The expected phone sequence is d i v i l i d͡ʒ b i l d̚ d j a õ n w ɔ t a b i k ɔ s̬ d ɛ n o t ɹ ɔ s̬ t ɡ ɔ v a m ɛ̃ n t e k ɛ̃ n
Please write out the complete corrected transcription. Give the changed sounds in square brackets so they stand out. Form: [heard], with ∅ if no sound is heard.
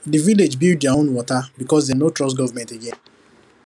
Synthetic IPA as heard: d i v i l [e] d͡ʒ b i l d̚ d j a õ n w ɔ t a b i k ɔ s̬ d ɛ n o t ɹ ɔ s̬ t ɡ ɔ v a m ɛ̃ n t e [ɡ] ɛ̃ n